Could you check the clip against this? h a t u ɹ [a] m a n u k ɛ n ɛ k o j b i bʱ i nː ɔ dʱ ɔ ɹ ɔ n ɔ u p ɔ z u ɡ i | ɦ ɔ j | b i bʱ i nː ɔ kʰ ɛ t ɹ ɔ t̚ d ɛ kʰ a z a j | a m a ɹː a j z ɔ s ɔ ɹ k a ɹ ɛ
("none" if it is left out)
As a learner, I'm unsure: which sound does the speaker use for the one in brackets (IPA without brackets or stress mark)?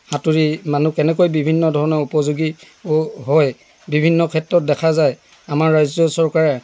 i